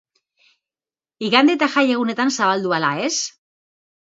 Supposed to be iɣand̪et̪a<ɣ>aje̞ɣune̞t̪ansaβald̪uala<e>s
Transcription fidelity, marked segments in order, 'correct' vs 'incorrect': incorrect: x, correct

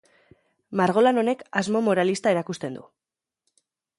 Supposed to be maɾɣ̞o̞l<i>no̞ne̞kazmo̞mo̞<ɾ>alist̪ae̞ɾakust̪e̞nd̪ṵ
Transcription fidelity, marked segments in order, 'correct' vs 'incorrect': incorrect: a, correct

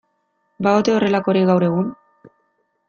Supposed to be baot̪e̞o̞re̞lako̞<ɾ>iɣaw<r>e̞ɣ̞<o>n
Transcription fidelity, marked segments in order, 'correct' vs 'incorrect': correct, incorrect: ɾ, incorrect: u

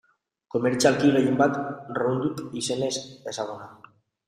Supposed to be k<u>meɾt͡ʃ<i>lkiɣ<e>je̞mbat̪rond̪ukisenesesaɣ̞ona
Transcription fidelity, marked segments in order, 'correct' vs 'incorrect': incorrect: o, incorrect: a, correct

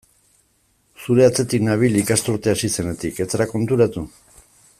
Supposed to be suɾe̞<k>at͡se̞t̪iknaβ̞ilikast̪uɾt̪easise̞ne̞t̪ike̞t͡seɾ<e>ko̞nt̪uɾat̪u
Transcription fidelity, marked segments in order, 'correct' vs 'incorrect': incorrect: none, incorrect: a

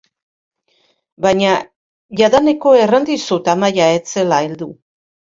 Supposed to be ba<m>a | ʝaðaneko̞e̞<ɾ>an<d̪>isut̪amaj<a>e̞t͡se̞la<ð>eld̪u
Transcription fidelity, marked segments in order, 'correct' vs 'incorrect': incorrect: ɲ, incorrect: r, correct, correct, incorrect: none

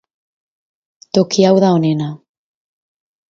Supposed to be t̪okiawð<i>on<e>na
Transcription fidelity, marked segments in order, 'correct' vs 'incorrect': incorrect: a, correct

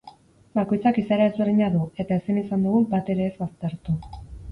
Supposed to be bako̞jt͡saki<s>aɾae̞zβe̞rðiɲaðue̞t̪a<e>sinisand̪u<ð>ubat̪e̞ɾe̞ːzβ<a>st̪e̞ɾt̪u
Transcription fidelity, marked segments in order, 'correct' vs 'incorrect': correct, correct, incorrect: ɣ, correct

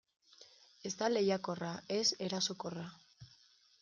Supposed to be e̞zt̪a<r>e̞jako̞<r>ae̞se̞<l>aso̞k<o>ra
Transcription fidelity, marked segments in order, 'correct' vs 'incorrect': incorrect: l, correct, incorrect: ɾ, correct

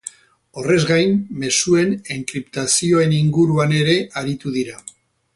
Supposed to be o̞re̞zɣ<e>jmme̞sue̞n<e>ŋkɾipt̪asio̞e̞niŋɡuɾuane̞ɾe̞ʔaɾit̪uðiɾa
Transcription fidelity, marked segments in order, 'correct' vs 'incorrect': incorrect: a, correct

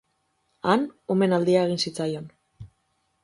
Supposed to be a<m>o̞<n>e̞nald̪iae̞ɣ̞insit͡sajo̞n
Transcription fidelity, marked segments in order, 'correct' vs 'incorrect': incorrect: n, incorrect: m

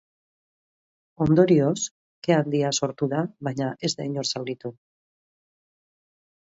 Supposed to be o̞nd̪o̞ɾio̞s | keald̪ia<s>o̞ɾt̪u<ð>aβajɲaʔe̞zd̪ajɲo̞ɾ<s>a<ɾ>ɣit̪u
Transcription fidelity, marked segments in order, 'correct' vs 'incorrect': correct, correct, correct, incorrect: l

